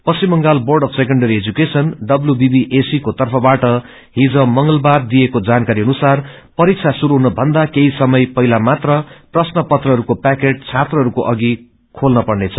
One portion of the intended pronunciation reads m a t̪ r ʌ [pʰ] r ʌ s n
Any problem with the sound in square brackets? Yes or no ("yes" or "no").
yes